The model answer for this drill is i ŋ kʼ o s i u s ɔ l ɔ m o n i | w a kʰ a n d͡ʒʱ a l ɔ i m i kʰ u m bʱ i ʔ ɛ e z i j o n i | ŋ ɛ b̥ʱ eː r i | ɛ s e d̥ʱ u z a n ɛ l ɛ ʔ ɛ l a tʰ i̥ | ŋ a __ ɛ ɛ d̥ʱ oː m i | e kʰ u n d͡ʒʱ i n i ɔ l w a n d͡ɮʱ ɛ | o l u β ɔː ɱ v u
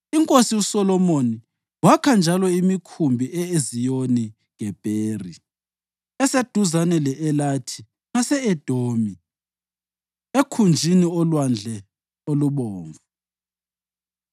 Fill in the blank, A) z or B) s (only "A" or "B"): B